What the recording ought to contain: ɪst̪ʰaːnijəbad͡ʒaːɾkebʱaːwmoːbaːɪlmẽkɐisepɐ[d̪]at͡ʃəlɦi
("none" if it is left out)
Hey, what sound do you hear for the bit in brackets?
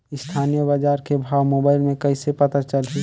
t̪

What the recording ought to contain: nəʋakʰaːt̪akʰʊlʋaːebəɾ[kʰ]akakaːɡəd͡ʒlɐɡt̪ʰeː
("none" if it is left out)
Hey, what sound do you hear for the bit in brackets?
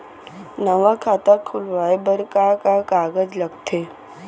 k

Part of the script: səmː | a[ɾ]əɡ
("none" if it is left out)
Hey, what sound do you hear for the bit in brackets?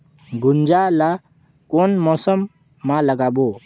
l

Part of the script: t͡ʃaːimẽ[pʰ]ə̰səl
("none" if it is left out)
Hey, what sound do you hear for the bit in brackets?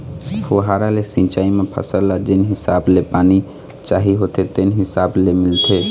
pʰ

